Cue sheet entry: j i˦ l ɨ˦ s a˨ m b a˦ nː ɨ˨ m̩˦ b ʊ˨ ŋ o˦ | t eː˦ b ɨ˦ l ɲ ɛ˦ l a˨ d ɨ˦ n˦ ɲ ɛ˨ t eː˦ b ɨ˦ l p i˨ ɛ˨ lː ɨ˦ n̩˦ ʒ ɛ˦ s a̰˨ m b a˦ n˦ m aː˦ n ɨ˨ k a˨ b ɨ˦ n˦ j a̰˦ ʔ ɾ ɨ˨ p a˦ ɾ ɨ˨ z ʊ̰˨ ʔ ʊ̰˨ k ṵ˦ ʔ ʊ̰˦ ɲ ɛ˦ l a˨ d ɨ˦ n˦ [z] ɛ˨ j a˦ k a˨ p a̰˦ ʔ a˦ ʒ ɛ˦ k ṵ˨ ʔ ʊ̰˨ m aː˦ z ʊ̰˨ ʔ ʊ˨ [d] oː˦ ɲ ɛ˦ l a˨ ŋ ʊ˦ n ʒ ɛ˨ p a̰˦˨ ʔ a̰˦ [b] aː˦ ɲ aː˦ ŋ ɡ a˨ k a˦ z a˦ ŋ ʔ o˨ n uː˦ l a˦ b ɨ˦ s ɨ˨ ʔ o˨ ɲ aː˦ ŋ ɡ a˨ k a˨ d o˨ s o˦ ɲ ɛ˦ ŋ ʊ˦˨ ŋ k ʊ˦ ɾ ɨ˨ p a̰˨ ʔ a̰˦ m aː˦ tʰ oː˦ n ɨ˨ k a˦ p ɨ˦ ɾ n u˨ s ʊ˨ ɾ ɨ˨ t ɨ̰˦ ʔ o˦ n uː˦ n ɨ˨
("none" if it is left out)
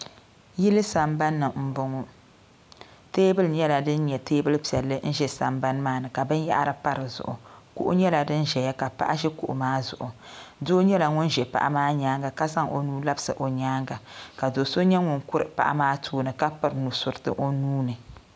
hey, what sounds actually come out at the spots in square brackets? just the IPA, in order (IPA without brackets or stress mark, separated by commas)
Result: ʒ, d, m